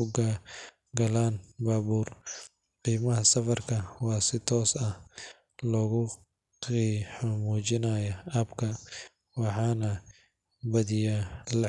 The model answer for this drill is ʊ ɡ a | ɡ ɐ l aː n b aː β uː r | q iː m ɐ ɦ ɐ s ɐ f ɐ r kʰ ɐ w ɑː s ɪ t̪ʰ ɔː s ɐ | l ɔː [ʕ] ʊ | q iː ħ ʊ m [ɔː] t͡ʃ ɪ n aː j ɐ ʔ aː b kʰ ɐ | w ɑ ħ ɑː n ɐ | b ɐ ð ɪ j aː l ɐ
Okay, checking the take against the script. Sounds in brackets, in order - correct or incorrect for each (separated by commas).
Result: incorrect, incorrect